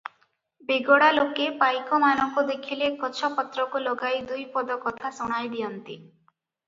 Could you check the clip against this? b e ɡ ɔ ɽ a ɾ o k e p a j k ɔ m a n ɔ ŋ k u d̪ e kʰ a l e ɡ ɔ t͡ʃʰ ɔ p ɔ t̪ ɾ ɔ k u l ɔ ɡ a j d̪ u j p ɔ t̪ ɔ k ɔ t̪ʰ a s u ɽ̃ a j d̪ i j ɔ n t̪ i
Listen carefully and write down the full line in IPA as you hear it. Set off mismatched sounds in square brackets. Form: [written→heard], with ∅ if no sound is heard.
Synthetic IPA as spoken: b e ɡ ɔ ɽ a [ɾ→l] o k e p a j k ɔ m a n ɔ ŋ k u d̪ e kʰ [a→i] l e [ɡ→k] ɔ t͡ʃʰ ɔ p ɔ t̪ ɾ ɔ k u l ɔ ɡ a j d̪ u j p ɔ [t̪→d̪] ɔ k ɔ t̪ʰ a s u ɽ̃ a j d̪ i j ɔ n t̪ i